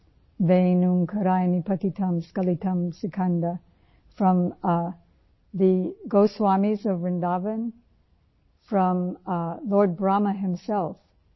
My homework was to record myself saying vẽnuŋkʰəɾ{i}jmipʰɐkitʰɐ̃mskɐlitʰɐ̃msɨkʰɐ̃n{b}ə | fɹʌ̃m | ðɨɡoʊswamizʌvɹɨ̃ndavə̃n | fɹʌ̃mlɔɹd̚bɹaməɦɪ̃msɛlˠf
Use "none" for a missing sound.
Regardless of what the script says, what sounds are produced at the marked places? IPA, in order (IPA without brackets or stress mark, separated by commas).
a, d